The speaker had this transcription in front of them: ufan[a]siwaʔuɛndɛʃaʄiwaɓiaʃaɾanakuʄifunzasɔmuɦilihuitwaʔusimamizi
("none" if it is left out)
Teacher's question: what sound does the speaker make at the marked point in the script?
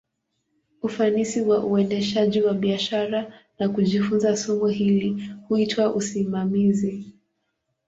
i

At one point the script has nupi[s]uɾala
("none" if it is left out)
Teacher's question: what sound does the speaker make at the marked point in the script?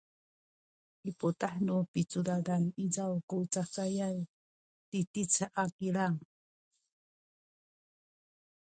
t͡s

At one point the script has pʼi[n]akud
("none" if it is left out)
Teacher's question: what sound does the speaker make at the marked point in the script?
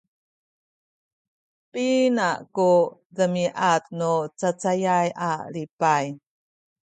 n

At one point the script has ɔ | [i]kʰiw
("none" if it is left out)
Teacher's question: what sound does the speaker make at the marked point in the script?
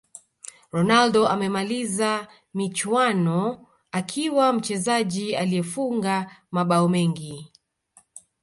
a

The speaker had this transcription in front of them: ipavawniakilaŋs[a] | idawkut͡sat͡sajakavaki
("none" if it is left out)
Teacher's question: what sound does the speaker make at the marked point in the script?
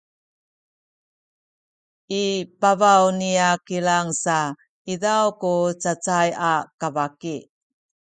a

